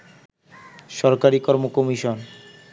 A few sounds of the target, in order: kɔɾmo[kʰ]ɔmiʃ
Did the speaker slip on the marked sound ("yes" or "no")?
yes